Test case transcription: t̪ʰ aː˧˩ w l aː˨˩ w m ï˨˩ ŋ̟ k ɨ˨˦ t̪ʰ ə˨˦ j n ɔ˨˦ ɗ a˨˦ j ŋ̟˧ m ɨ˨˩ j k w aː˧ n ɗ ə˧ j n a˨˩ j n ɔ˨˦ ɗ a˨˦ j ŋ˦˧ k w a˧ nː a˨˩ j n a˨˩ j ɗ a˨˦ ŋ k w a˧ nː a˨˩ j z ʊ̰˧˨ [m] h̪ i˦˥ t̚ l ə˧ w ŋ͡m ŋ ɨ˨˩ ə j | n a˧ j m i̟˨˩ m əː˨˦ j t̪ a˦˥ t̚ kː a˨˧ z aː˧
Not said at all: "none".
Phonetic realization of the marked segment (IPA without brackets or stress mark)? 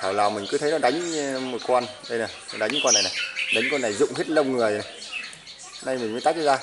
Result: ŋ͡m